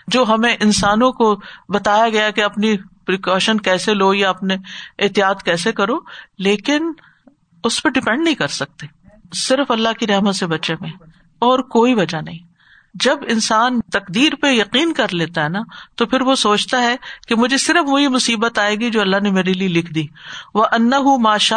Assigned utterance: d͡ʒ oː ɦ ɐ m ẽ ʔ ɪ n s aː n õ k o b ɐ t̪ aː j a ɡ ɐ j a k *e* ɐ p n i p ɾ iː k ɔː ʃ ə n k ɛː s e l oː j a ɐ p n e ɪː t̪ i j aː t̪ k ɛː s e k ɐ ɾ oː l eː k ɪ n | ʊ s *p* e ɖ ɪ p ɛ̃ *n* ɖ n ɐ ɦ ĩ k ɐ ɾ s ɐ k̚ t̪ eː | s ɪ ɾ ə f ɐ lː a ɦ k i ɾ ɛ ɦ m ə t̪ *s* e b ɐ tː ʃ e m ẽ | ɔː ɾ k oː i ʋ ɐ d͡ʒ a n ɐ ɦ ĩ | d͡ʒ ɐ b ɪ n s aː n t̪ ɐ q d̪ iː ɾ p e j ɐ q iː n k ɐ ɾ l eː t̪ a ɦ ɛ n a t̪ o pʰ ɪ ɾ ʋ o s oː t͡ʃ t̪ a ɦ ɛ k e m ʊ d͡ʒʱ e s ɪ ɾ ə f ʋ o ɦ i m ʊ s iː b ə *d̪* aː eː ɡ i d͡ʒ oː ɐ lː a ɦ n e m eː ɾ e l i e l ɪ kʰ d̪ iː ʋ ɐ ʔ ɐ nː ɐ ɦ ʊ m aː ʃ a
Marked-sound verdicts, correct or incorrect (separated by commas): correct, correct, incorrect, correct, incorrect